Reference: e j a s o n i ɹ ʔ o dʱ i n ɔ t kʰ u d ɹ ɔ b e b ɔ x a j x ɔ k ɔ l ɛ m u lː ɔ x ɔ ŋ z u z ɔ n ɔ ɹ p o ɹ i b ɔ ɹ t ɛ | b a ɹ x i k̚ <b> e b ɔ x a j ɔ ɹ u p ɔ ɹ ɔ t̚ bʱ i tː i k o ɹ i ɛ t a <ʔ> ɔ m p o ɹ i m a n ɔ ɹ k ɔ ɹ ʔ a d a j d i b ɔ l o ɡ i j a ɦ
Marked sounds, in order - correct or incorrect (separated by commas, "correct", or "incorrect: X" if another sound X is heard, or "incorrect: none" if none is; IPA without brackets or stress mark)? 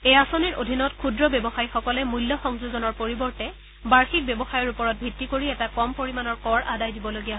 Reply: correct, incorrect: k